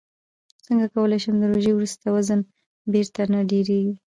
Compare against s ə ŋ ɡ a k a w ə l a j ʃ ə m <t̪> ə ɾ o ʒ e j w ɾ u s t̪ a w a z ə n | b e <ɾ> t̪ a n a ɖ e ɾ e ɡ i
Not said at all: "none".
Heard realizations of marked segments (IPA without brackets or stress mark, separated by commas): d̪, ɾ